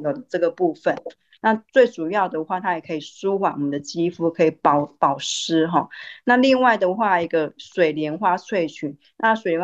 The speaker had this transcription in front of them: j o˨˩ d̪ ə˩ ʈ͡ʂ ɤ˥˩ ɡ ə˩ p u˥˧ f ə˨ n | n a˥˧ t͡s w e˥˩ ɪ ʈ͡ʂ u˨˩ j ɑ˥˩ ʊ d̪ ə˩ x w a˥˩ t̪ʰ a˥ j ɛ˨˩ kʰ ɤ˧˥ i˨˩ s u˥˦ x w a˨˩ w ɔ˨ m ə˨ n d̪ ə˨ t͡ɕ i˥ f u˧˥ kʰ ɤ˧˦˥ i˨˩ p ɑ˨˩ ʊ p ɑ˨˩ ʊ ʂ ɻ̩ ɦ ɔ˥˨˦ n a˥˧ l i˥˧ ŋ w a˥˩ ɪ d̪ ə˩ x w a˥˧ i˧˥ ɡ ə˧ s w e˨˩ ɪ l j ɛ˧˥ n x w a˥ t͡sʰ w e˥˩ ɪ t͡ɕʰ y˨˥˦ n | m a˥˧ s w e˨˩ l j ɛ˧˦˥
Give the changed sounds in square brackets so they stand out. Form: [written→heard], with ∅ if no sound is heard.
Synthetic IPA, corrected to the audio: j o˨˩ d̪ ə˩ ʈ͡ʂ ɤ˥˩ ɡ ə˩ p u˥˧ f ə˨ n | n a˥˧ t͡s w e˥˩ ɪ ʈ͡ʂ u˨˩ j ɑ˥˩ ʊ d̪ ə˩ x w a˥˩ t̪ʰ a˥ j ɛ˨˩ kʰ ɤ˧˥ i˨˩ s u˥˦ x w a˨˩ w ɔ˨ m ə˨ n d̪ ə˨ t͡ɕ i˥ f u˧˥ kʰ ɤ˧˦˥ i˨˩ p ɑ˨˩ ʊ p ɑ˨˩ ʊ ʂ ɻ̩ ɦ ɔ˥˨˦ n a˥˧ l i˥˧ ŋ w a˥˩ ɪ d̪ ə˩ x w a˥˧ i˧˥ ɡ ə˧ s w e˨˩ ɪ l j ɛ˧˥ n x w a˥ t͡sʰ w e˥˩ ɪ t͡ɕʰ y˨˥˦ n | [m→n] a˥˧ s w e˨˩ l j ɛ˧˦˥